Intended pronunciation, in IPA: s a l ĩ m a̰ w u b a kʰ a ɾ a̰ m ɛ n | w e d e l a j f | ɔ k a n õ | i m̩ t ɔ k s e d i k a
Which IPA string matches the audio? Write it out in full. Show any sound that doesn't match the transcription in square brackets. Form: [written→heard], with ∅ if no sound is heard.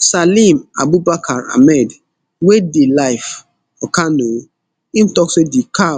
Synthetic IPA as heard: s a l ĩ m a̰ [w→b] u b a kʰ a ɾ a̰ m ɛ [n→d] | w e d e l a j f | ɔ k a n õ | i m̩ t ɔ k s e d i k a